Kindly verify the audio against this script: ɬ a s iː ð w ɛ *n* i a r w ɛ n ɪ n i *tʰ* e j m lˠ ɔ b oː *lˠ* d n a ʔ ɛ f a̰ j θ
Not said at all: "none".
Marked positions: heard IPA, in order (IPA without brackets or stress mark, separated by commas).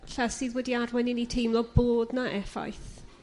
d, tʰ, none